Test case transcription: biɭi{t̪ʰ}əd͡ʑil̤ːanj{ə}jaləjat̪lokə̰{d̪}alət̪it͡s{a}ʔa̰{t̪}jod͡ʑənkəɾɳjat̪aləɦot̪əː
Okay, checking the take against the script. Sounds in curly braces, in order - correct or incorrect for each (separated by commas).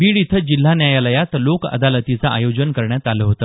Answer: correct, incorrect, correct, correct, incorrect